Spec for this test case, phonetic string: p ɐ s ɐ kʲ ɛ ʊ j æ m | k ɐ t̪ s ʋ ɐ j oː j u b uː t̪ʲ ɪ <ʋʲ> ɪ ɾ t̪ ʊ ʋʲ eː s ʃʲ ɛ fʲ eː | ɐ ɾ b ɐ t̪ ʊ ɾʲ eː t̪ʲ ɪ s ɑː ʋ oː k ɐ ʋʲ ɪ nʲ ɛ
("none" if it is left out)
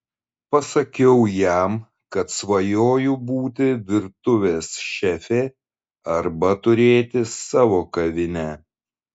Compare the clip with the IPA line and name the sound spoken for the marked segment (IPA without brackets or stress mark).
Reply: ʋʲ